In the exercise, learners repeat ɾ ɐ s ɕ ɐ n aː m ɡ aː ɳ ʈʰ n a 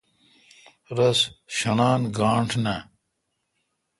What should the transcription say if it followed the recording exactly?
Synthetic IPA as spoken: ɾ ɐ s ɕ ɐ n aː n ɡ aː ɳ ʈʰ n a